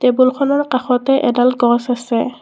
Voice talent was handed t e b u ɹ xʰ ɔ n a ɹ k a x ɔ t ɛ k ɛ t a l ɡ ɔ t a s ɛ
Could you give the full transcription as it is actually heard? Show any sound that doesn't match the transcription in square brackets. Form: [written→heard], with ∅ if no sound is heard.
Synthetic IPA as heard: t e b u [ɹ→l] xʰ ɔ n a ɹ k a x ɔ t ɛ [k→ʔ] ɛ [t→d] a l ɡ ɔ [t→s] a s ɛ